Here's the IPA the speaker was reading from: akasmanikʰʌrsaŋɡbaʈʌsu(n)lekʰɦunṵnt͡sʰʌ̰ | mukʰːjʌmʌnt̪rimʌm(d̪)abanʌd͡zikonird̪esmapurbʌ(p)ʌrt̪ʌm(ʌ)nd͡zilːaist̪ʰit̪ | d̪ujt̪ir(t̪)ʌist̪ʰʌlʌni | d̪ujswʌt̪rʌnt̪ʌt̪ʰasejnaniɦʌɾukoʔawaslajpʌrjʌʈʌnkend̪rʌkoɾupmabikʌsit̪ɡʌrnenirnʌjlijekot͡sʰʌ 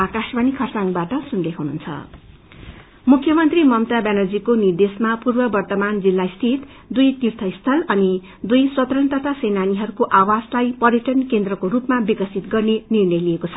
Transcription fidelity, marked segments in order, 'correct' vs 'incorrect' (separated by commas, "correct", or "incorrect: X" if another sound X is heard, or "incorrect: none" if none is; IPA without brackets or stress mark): correct, incorrect: t̪, incorrect: b, incorrect: a, incorrect: t̪ʰ